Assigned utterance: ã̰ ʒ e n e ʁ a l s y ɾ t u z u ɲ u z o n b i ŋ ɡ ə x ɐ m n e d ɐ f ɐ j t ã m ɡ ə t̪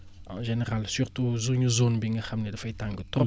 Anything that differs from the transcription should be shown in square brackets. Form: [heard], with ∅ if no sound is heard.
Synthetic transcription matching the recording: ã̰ ʒ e n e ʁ a l s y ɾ t u z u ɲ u z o n b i ŋ ɡ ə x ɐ m n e d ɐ f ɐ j t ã [ŋ] ɡ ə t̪